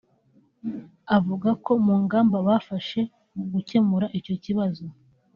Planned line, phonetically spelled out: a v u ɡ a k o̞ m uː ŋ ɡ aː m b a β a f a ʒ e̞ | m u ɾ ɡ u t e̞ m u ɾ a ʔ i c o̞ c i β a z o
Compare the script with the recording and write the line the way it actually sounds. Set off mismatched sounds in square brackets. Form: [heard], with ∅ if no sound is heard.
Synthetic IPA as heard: a v u ɡ a k o̞ m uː ŋ ɡ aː m b a β a f a [ʃ] e̞ | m u [∅] ɡ u [c] e̞ m u ɾ a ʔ i c o̞ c i β a z o